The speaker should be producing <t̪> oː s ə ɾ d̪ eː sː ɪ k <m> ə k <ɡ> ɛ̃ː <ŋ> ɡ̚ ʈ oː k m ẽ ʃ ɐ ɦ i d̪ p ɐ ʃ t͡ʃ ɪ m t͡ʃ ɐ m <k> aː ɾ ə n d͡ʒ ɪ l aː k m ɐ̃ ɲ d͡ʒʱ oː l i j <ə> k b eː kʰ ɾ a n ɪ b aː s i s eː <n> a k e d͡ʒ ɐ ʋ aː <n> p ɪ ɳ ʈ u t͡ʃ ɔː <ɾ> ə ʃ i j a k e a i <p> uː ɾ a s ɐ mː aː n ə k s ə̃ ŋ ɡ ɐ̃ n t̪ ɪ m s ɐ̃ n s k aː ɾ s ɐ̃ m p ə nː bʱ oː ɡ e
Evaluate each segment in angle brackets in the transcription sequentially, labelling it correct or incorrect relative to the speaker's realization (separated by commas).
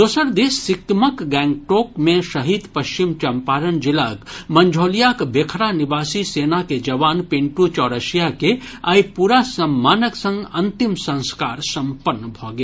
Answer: incorrect, correct, correct, correct, incorrect, incorrect, correct, correct, correct, correct